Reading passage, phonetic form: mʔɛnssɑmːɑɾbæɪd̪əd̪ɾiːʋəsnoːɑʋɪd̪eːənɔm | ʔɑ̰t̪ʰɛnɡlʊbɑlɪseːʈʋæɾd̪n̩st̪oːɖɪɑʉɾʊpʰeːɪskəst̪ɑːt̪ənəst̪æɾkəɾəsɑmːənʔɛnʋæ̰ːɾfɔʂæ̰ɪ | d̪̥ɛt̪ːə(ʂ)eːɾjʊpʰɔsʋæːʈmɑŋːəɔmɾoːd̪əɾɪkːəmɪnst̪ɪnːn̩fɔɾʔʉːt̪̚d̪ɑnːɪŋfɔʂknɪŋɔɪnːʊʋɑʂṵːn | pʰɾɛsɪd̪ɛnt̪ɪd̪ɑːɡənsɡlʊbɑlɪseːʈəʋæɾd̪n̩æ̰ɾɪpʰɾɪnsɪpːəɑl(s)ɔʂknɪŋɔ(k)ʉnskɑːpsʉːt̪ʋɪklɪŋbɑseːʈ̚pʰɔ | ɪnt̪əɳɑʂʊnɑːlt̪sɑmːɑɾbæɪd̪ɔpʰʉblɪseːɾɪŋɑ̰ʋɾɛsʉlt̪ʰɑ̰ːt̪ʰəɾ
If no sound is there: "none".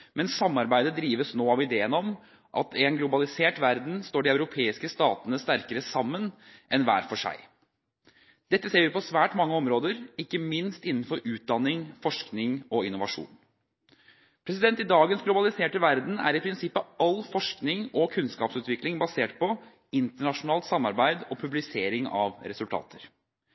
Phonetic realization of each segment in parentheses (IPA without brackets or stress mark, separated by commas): s, f, kʰ